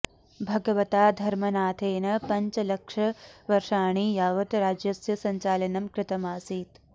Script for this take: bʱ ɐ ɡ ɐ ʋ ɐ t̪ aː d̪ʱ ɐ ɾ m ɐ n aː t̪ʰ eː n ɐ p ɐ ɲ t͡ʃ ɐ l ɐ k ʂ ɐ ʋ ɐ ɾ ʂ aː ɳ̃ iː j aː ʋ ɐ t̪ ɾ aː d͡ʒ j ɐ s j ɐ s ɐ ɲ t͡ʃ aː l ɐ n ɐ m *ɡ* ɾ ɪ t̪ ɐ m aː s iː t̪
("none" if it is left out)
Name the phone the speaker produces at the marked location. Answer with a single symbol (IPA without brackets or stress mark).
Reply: k